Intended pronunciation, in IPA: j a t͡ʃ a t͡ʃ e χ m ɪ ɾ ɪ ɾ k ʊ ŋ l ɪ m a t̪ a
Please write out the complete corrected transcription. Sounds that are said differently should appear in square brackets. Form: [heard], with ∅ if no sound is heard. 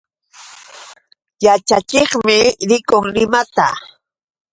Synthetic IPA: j a t͡ʃ a t͡ʃ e χ m ɪ ɾ ɪ [∅] k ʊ ŋ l ɪ m a t̪ a